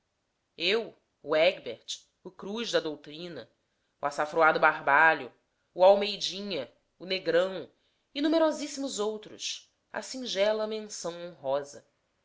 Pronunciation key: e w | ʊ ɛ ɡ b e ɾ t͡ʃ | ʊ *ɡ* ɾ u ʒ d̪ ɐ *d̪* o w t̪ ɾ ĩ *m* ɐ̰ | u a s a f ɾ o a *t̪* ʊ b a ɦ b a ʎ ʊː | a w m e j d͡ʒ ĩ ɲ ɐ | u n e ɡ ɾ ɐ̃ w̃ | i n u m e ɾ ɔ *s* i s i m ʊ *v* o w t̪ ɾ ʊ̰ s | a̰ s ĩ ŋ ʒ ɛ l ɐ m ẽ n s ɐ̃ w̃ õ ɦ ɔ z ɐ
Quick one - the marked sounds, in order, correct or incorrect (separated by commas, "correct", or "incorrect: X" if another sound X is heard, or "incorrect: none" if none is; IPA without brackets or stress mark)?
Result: incorrect: k, correct, incorrect: n, incorrect: d̪, incorrect: z, incorrect: z